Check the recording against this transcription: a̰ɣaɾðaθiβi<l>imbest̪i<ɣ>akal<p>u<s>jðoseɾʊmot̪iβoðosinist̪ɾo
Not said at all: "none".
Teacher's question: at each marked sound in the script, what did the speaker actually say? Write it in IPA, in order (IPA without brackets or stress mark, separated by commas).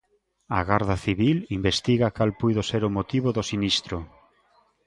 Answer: l, ɣ, p, none